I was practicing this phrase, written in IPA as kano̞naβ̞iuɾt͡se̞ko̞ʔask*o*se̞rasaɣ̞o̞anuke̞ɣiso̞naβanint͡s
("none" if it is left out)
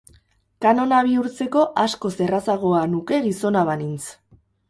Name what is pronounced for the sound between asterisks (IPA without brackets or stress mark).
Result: o